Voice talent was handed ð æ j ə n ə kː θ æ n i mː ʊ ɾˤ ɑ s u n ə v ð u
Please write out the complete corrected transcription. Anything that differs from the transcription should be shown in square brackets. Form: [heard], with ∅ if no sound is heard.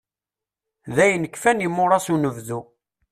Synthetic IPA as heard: ð æ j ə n ə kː [f] æ n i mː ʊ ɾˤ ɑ s u n ə v ð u